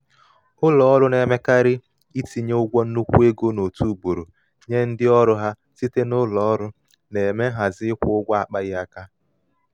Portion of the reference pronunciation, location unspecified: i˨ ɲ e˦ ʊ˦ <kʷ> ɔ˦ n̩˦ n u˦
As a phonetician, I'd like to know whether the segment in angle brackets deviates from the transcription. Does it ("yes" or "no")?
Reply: yes